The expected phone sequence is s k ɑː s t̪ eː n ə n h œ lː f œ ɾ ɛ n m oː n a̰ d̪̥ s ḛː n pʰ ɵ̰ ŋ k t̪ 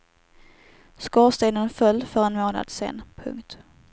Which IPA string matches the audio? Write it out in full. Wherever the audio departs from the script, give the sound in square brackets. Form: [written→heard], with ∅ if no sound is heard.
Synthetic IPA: s k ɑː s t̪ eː n ə n [h→f] œ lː f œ ɾ ɛ n m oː n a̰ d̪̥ s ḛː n pʰ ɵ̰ ŋ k t̪